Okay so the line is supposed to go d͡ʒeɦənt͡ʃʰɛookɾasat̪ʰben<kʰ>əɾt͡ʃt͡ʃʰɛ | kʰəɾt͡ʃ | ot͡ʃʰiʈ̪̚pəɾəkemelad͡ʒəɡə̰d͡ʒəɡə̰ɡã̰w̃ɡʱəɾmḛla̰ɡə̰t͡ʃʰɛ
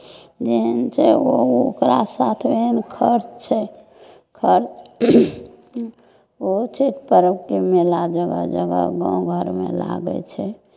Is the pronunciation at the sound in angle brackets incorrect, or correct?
correct